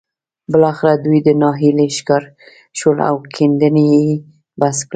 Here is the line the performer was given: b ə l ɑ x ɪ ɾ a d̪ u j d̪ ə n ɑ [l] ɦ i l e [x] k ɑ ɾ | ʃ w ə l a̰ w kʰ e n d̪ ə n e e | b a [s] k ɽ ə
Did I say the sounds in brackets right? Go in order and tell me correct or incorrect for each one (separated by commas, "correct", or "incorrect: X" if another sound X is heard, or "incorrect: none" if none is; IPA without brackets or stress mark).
incorrect: none, incorrect: ʃ, correct